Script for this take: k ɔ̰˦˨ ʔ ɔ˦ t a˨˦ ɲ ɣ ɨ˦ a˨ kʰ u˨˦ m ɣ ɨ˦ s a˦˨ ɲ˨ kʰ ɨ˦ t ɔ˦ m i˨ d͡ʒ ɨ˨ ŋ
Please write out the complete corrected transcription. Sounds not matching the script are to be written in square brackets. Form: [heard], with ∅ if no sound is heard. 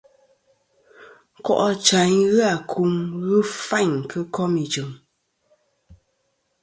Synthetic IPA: k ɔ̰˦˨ ʔ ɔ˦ [t͡ʃ] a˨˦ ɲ ɣ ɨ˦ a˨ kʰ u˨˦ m ɣ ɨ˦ [f] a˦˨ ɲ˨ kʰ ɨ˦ [k] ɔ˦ m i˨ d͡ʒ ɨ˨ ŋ